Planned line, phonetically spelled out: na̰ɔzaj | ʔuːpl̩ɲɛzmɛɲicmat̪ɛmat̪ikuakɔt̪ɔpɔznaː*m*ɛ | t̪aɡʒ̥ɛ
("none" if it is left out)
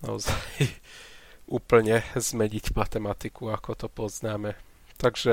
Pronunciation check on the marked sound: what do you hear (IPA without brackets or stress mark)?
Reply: m